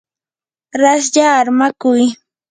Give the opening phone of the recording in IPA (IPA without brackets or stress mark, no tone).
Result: ɾ